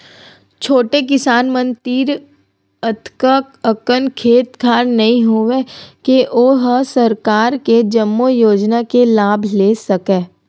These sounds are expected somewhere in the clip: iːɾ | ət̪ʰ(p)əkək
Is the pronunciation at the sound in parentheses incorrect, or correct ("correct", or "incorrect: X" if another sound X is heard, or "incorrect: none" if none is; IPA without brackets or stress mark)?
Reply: incorrect: k